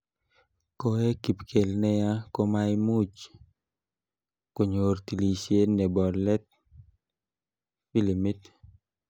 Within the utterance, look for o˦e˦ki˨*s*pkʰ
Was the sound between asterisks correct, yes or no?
no